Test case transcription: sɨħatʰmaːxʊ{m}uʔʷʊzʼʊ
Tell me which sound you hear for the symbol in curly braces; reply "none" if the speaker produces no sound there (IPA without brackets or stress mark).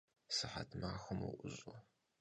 m